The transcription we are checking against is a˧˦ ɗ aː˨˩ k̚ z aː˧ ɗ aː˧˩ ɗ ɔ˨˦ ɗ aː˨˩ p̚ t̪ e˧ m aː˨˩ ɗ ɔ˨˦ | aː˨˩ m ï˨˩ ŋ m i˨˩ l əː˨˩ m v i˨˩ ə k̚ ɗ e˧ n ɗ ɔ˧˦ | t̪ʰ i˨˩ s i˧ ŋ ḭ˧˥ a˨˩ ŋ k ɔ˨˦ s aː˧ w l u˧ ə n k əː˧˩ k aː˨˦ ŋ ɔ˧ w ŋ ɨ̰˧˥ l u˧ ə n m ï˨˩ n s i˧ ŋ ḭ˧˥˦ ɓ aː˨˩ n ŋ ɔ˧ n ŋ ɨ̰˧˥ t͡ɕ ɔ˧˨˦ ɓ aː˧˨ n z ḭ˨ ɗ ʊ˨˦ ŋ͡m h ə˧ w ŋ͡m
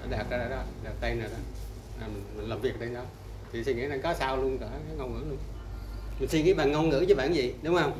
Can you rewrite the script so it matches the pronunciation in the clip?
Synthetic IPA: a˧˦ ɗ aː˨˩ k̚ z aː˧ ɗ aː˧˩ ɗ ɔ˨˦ ɗ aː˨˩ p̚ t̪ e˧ n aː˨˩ ɗ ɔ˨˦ | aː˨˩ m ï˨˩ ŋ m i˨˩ l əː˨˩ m v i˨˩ ə k̚ ɗ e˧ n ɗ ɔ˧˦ | t̪ʰ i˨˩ s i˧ ŋ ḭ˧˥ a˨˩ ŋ k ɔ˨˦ s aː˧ w l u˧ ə n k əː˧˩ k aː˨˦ ŋ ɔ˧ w ŋ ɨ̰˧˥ l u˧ ə n m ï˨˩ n s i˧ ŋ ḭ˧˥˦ ɓ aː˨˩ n ŋ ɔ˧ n ŋ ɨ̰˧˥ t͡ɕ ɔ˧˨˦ ɓ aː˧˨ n z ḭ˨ ɗ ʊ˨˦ ŋ͡m h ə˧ w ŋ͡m